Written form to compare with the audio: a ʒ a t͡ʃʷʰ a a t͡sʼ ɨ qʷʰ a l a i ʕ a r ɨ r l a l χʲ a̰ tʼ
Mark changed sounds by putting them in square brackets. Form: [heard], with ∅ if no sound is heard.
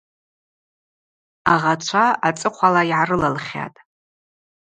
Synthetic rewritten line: a [ʁ] a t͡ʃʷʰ a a t͡sʼ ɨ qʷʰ a l a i ʕ a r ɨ [∅] l a l χʲ a̰ tʼ